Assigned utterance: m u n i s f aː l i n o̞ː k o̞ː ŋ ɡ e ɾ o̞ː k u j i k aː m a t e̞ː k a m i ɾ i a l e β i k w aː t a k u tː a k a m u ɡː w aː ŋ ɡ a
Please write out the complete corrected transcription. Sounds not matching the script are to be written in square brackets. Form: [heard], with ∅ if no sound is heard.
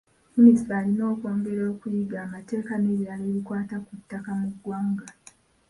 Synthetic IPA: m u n i s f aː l i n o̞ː k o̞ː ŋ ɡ e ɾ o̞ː k u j i [ɡ] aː m a t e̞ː k a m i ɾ i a l e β i k w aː t a k u tː a k a m u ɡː w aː ŋ ɡ a